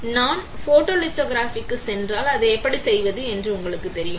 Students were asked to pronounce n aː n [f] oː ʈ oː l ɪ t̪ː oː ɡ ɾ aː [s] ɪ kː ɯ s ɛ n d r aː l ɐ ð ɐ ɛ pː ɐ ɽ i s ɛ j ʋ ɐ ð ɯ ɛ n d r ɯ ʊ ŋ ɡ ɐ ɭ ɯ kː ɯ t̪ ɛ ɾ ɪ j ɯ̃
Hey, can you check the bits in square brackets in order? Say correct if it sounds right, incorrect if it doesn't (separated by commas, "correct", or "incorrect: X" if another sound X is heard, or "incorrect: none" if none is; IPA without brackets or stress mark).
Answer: correct, incorrect: f